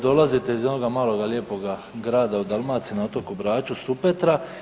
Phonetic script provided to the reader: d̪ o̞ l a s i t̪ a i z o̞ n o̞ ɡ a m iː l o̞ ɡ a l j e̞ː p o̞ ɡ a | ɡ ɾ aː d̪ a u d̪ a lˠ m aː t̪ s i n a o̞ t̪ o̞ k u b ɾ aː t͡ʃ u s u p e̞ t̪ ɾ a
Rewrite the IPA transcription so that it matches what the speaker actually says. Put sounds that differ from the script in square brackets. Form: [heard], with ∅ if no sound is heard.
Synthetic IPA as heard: d̪ o̞ l a [z] i t̪ [e] i z o̞ n o̞ ɡ a m [aː] l o̞ ɡ a l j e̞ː p o̞ ɡ a | ɡ ɾ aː d̪ a u d̪ a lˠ m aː t̪ s i n a o̞ t̪ o̞ k u b ɾ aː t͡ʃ u s u p e̞ t̪ ɾ a